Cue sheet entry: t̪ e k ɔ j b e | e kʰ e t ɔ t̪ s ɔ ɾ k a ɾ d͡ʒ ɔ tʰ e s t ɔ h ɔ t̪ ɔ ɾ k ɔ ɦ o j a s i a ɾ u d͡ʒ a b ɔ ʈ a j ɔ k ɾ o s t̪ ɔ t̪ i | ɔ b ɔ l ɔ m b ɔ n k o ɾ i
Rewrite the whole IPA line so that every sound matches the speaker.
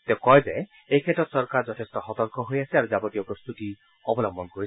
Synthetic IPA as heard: t̪ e k ɔ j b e | e kʰ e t ɔ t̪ s ɔ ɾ k a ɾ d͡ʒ ɔ tʰ e s t ɔ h ɔ t̪ ɔ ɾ k ɔ ɦ o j a s i a ɾ u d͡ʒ a b ɔ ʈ i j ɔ p ɾ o s t̪ u t̪ i | ɔ b ɔ l ɔ m b ɔ n k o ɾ i